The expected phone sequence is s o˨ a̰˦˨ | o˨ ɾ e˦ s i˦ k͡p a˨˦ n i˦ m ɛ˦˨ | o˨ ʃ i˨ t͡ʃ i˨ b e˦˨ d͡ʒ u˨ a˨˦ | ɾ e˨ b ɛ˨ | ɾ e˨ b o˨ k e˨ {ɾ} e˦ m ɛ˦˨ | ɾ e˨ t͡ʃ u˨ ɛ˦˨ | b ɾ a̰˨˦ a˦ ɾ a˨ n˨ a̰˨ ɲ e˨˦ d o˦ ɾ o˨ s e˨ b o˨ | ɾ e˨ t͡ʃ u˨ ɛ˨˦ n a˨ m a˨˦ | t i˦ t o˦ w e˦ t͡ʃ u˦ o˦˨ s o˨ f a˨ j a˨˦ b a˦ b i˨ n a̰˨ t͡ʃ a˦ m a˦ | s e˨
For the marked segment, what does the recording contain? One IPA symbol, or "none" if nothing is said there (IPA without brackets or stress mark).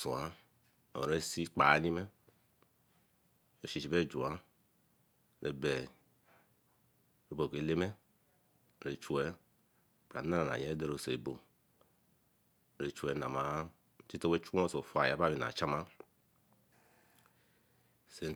l